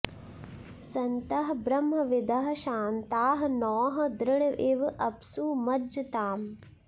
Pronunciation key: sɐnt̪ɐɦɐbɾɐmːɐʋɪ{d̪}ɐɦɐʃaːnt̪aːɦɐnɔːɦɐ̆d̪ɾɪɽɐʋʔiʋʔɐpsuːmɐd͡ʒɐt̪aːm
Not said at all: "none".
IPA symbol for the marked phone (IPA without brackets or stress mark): d̪